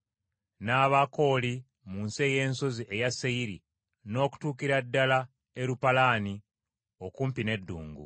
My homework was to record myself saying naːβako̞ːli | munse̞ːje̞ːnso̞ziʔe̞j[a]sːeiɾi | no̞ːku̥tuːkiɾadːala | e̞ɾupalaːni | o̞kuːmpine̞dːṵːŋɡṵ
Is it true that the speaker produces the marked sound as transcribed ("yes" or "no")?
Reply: yes